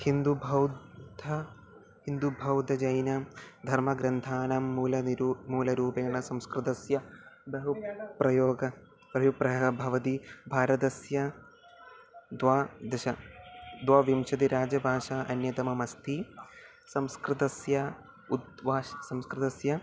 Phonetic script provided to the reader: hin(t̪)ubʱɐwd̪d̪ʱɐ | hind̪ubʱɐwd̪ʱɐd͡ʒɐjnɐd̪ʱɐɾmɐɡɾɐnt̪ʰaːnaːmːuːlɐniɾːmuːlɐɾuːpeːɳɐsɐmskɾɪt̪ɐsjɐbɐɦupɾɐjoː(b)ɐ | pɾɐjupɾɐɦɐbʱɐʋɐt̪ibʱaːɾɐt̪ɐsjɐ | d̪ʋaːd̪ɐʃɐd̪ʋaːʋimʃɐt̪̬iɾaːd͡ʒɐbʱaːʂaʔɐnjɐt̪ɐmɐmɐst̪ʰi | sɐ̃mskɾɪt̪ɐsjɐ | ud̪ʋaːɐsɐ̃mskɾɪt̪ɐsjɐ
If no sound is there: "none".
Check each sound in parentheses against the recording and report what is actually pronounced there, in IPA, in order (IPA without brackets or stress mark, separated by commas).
d̪, ɡ